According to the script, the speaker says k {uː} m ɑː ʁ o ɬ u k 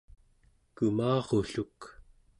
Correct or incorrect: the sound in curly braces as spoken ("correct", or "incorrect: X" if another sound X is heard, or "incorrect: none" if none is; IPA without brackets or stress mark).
incorrect: u